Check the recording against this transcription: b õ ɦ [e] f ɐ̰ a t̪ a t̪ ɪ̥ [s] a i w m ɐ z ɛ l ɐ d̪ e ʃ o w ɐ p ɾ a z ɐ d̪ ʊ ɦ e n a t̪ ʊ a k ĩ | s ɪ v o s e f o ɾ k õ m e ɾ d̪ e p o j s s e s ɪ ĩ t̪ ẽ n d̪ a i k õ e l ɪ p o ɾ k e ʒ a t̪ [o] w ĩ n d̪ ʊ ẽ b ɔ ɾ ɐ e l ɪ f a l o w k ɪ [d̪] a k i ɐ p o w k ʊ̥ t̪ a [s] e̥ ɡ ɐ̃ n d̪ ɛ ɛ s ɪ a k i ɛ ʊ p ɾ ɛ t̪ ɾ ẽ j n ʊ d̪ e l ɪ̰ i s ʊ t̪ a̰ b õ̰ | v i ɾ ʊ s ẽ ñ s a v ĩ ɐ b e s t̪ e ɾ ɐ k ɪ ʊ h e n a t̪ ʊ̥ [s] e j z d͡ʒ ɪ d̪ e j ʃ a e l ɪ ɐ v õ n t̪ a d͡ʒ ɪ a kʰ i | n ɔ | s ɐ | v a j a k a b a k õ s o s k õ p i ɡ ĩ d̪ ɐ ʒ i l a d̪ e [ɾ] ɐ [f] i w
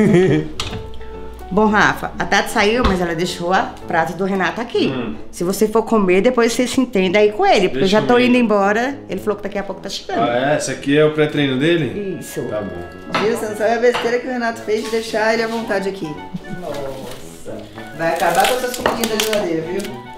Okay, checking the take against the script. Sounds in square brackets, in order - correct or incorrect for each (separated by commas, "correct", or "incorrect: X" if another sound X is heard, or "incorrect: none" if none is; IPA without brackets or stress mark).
incorrect: a, correct, correct, correct, incorrect: ʃ, incorrect: f, correct, incorrect: v